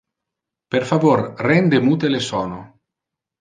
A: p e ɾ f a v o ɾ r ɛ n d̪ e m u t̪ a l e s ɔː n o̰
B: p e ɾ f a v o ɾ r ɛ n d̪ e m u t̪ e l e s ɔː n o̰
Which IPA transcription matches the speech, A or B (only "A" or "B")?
B